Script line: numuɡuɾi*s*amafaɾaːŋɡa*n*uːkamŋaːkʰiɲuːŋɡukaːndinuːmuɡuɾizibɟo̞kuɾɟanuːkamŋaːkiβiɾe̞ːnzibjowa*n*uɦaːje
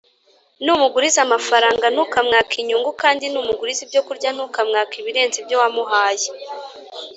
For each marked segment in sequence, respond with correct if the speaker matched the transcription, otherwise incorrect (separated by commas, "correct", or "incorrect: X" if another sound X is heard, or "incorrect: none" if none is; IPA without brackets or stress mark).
incorrect: z, correct, incorrect: m